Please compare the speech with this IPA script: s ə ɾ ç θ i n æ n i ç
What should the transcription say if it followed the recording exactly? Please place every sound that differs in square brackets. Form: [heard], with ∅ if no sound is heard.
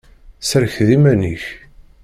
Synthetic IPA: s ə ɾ ç [ð] i [m] æ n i ç